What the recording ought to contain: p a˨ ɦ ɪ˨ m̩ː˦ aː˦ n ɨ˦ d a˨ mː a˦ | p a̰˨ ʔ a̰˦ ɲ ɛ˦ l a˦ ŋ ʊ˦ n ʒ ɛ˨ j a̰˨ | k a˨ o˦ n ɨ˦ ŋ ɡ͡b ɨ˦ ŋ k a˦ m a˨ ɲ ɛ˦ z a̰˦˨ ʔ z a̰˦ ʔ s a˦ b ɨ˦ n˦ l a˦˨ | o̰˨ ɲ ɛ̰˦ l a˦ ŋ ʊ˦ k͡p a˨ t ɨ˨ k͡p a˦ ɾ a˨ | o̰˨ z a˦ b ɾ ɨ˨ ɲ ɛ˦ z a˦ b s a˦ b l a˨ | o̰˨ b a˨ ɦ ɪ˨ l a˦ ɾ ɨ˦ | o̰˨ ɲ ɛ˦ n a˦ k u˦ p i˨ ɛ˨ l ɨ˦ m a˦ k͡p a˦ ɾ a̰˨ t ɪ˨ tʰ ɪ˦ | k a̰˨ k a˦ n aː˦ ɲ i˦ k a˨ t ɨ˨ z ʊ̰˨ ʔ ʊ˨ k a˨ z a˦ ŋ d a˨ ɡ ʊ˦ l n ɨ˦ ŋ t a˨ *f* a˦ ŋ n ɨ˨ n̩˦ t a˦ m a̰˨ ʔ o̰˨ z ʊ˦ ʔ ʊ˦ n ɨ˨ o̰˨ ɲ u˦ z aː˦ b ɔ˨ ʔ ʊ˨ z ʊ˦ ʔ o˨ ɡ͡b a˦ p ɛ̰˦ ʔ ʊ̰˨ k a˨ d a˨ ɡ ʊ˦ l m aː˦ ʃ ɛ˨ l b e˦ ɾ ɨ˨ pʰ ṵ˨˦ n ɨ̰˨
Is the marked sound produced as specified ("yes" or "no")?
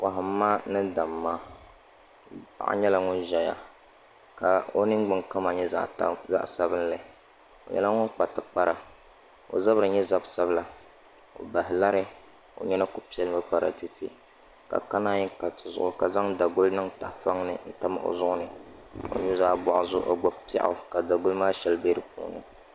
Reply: yes